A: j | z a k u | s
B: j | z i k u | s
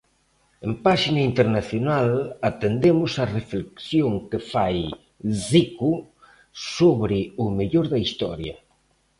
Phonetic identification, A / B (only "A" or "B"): B